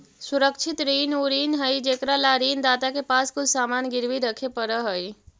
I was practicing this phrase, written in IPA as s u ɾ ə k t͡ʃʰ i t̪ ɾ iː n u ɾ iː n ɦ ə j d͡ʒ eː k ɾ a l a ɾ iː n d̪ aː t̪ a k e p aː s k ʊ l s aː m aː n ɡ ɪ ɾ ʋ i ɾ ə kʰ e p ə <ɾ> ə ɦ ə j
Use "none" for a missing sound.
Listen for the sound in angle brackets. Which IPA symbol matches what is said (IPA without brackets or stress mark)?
ɾ